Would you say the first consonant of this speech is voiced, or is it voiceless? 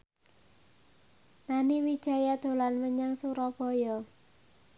voiced